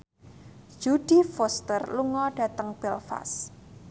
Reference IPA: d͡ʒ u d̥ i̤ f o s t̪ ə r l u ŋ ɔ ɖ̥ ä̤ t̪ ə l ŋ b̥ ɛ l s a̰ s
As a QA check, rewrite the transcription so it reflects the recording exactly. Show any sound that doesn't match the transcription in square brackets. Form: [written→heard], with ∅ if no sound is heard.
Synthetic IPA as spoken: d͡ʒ u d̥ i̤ f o s t̪ ə r l u ŋ ɔ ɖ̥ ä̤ t̪ ə [l→∅] ŋ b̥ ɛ l [s→f] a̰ s